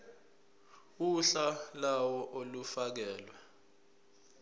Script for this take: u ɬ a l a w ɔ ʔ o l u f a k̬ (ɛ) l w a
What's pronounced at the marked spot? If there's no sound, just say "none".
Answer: ɛː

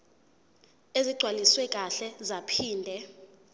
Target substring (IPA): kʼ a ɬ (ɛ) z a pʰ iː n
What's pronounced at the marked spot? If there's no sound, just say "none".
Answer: ɛ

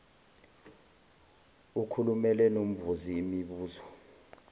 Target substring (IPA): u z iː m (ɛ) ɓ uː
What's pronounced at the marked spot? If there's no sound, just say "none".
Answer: i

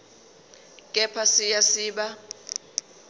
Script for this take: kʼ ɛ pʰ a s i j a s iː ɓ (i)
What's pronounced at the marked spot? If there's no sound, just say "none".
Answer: a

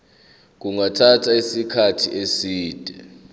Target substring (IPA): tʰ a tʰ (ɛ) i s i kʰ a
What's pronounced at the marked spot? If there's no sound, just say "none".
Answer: a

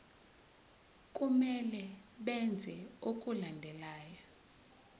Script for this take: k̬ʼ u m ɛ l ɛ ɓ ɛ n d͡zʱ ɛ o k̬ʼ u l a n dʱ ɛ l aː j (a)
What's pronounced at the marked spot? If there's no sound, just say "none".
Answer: a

